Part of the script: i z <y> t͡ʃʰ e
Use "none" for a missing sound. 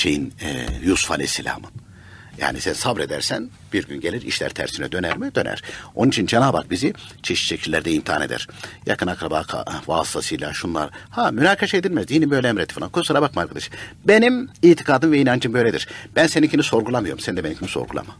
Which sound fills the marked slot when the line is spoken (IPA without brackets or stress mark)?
i